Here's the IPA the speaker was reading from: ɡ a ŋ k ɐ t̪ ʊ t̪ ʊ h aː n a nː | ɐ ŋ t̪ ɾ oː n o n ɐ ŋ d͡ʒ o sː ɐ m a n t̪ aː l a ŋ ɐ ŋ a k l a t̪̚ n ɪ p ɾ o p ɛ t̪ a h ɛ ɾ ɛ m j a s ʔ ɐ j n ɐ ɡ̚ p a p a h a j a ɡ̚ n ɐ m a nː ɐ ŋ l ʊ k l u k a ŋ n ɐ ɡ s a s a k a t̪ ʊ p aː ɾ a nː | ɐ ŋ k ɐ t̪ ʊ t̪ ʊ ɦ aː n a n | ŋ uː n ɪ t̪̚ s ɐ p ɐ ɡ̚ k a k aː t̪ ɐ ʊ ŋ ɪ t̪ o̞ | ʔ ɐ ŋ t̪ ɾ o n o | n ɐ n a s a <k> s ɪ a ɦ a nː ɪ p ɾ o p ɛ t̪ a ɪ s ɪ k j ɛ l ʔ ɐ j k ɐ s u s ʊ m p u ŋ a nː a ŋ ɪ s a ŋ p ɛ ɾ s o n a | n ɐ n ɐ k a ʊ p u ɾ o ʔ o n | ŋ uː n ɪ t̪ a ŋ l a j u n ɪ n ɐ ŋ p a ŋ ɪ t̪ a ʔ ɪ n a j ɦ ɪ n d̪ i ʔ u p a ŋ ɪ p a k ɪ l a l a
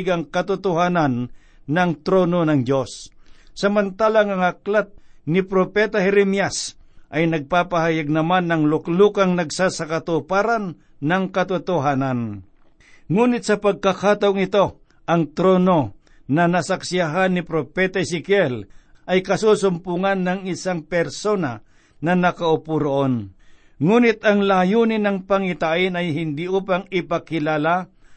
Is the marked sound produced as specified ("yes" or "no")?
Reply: yes